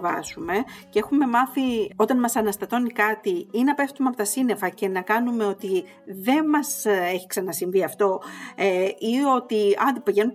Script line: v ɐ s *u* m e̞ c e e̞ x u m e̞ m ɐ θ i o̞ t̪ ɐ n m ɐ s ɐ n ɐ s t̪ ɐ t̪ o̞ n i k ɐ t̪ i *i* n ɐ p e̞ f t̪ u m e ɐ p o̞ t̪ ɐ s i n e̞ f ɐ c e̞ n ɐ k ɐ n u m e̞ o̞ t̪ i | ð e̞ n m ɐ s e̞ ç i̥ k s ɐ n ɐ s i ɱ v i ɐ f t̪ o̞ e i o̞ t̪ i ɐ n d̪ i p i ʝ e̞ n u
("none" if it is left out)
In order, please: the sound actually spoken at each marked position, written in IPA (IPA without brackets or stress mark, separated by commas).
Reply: u, i